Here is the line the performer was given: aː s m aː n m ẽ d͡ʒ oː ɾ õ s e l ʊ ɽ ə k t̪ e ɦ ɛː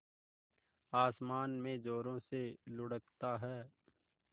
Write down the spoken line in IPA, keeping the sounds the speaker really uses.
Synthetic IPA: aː s m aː n m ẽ d͡ʒ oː ɾ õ s e l ʊ ɽ ə k t̪ a ɦ ɛː